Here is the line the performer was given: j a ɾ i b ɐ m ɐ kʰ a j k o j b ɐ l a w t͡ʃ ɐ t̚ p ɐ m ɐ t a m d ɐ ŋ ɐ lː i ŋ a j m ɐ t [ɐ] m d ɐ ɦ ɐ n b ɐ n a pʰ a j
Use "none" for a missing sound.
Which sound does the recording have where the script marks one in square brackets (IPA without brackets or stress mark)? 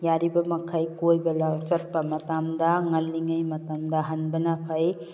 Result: a